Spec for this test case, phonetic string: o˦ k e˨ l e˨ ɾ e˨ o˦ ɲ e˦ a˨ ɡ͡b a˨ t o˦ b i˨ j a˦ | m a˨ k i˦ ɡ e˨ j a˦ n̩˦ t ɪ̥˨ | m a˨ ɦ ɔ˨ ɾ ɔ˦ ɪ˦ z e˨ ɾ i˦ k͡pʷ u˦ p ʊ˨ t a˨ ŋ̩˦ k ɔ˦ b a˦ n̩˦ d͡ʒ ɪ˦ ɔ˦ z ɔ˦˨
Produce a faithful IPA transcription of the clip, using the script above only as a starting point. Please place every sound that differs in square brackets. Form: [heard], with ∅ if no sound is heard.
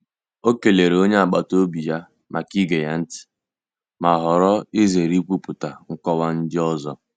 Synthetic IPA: o˦ k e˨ l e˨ ɾ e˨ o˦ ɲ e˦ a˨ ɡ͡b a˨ t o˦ b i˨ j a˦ | m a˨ k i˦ ɡ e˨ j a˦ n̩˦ t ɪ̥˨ | m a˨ ɦ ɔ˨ ɾ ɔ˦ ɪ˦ z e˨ ɾ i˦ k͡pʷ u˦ p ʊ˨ t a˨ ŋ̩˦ k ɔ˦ [w] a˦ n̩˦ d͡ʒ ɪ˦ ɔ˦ z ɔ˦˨